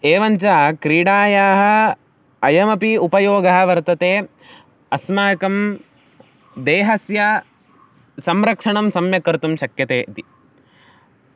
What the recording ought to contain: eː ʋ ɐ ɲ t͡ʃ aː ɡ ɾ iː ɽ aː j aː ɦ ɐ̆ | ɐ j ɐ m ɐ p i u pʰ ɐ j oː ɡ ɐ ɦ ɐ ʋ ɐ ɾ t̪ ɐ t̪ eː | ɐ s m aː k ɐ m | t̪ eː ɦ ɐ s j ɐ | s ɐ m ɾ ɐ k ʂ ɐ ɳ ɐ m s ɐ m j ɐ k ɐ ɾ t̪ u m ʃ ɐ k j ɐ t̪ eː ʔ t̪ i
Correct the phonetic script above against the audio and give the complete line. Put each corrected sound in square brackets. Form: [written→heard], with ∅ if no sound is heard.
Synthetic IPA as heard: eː ʋ ɐ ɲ t͡ʃ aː [ɡ→k] ɾ iː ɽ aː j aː ɦ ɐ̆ | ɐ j ɐ m ɐ p i u [pʰ→p] ɐ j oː ɡ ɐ ɦ ɐ ʋ ɐ ɾ t̪ ɐ t̪ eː | ɐ s m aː k ɐ m | [t̪→d̪] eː ɦ ɐ s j ɐ | s ɐ m ɾ ɐ k ʂ ɐ ɳ ɐ m s ɐ m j ɐ k ɐ ɾ t̪ u m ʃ ɐ k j ɐ t̪ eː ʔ t̪ i